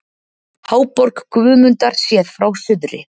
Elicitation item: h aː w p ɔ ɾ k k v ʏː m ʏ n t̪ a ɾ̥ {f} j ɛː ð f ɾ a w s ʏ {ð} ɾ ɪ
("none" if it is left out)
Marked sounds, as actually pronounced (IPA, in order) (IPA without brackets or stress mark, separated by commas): s, ð